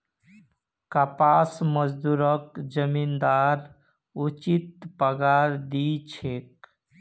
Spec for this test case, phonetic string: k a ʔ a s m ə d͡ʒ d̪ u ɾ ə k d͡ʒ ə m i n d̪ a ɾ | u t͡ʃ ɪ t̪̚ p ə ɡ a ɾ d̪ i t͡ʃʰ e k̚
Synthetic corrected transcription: k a p a s m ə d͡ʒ d̪ u ɾ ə k d͡ʒ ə m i n d̪ a ɾ | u t͡ʃ i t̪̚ p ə ɡ a ɾ d̪ i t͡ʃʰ e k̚